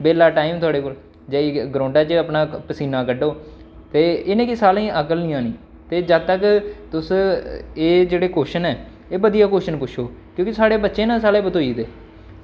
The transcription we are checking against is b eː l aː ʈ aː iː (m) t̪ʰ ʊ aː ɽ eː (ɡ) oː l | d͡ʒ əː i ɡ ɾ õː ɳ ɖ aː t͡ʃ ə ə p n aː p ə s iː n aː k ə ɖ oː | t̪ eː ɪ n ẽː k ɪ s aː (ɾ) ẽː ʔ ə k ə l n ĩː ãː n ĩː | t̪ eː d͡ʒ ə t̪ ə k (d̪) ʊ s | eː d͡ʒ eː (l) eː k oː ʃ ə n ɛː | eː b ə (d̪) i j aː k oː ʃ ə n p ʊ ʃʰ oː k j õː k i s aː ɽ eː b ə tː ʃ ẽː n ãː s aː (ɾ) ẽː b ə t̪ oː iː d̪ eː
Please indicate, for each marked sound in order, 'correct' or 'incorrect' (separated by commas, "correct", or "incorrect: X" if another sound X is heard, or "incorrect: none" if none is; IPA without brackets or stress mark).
correct, incorrect: k, incorrect: l, incorrect: t̪, incorrect: ɽ, correct, incorrect: l